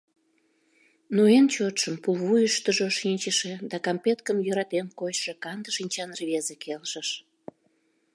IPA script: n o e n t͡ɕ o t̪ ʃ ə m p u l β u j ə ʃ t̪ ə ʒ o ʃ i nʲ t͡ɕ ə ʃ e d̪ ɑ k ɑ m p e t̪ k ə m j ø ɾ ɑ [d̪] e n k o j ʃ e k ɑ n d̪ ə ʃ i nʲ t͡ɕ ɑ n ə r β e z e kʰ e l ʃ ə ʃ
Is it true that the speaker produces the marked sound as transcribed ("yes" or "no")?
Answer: no